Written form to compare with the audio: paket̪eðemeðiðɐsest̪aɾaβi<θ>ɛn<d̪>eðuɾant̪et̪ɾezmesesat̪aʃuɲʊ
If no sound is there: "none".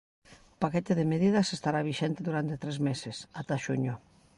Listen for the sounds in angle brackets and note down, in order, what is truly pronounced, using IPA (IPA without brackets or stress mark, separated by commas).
ʃ, t̪